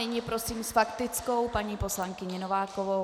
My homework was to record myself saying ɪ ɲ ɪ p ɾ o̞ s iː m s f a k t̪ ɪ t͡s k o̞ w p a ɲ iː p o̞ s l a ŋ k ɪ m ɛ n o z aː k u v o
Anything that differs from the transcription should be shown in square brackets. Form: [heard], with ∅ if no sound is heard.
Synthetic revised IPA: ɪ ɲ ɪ p ɾ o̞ s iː m s f a k t̪ ɪ t͡s k o̞ w p a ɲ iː p o̞ s l a ŋ k ɪ [ɲ] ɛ n o [v] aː k [o] v o